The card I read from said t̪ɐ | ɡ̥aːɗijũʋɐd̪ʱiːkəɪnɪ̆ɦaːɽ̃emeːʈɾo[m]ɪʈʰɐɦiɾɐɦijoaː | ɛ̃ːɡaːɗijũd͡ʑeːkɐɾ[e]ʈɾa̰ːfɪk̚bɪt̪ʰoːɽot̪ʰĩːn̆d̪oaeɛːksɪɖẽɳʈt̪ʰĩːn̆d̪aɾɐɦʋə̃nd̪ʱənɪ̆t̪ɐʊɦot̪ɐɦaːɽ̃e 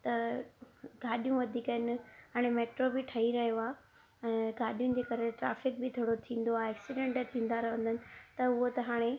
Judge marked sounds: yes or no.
no, yes

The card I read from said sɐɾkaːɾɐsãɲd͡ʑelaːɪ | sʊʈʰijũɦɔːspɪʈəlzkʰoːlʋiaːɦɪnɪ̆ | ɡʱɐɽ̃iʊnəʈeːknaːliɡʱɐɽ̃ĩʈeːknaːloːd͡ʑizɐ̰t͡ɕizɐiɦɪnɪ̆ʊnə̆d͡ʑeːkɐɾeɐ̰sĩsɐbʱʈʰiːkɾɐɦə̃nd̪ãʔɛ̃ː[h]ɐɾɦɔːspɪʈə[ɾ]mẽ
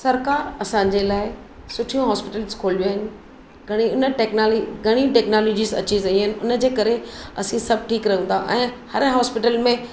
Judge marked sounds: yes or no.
yes, no

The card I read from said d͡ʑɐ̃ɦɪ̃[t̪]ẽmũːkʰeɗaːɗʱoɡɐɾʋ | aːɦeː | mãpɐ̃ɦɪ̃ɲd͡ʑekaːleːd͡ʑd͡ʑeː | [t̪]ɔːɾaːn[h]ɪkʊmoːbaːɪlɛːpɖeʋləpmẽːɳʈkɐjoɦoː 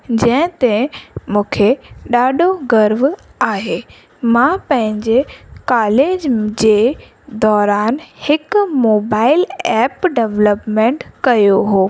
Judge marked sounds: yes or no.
yes, no, yes

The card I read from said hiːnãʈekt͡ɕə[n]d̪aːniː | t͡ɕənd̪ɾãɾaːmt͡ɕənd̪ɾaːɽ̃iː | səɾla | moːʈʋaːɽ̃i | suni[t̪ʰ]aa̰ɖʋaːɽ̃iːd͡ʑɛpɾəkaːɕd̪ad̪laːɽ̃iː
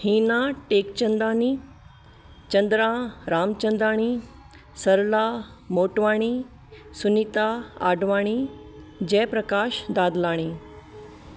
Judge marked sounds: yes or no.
yes, no

